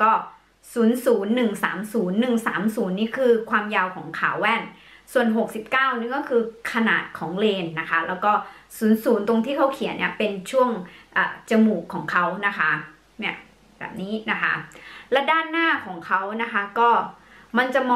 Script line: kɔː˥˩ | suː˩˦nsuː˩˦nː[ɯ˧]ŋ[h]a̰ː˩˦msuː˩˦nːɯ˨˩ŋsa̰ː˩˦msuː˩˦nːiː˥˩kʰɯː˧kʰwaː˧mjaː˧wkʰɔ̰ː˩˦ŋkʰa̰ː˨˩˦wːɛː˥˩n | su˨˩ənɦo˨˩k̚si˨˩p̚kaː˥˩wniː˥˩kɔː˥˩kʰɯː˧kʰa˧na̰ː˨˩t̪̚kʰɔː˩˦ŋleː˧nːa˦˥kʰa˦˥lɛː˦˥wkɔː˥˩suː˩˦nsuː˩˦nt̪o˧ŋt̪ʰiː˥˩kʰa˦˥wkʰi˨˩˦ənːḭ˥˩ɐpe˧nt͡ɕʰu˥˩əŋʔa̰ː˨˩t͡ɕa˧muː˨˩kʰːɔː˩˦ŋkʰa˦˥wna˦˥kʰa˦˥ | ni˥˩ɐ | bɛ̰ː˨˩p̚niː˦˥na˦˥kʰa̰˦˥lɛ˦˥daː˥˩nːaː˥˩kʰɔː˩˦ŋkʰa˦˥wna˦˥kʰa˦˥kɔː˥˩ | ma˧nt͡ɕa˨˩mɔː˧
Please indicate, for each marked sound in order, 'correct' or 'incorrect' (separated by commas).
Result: incorrect, incorrect